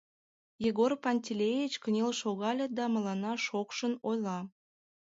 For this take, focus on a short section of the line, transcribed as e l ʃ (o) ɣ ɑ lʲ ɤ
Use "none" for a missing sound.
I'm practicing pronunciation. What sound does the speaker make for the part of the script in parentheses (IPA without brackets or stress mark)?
o